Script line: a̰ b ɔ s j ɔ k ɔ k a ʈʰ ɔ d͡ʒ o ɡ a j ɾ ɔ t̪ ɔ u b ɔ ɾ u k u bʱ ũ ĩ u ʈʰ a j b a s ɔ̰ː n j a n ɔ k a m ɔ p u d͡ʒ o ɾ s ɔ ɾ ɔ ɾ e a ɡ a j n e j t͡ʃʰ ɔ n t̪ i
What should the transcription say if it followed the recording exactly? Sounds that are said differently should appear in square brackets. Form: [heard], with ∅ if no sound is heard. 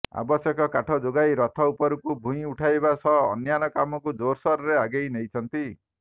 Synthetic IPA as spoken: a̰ b ɔ s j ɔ k ɔ k a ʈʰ ɔ d͡ʒ o ɡ a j ɾ ɔ [t̪ʰ] ɔ u [p] ɔ ɾ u k u bʱ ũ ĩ u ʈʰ a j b a s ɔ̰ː n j a n ɔ k a m ɔ [k] u d͡ʒ o ɾ s ɔ ɾ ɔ ɾ e a ɡ [e] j n e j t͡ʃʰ ɔ n t̪ i